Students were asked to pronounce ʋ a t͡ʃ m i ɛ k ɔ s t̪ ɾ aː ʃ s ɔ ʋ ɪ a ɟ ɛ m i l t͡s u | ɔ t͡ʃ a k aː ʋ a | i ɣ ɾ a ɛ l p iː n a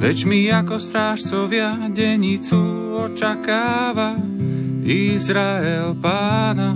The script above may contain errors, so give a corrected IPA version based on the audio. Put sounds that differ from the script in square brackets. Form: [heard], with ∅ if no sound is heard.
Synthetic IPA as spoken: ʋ [ɛ] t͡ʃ m i [a] k ɔ s t̪ ɾ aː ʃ [t͡s] ɔ ʋ ɪ a ɟ ɛ [ɲ] i [∅] t͡s u | ɔ t͡ʃ a k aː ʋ a | i [z] ɾ a ɛ l p [aː] n a